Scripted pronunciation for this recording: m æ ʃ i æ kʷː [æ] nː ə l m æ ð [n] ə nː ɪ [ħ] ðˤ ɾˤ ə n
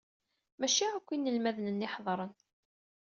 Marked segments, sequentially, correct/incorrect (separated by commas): incorrect, correct, correct